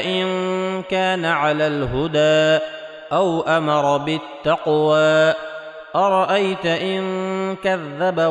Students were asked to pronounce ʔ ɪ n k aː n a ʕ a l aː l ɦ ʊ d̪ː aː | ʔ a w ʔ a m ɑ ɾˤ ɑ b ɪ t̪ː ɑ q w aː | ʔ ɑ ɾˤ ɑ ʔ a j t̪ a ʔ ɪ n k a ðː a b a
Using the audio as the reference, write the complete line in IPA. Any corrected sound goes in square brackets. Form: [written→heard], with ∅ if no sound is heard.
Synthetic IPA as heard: ʔ ɪ n k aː n a ʕ a l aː l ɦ ʊ [d̪ː→d̪] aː | ʔ a w ʔ a m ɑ ɾˤ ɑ b ɪ t̪ː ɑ q w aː | ʔ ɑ ɾˤ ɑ ʔ a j t̪ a ʔ ɪ n k a ðː a b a